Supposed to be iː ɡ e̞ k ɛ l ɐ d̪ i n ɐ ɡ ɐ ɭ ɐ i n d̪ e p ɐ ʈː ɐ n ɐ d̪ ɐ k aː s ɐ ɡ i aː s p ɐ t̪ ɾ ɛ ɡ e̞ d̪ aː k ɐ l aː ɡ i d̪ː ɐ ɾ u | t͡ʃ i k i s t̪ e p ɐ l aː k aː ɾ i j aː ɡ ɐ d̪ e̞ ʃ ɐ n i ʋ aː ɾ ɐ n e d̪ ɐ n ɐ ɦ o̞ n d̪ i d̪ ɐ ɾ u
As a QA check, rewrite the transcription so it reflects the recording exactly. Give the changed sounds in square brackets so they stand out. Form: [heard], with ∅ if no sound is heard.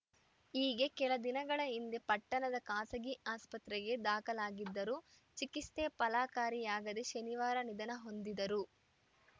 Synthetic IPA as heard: iː ɡ e̞ k ɛ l ɐ d̪ i n ɐ ɡ ɐ ɭ ɐ i n d̪ e p ɐ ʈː ɐ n ɐ d̪ ɐ k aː s ɐ ɡ i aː s p ɐ t̪ ɾ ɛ ɡ e̞ d̪ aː k ɐ l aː ɡ i d̪ː ɐ ɾ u | t͡ʃ i k i s t̪ e p ɐ l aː k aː ɾ i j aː ɡ ɐ d̪ e̞ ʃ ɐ n i ʋ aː ɾ ɐ n [i] d̪ ɐ n ɐ ɦ o̞ n d̪ i d̪ ɐ ɾ u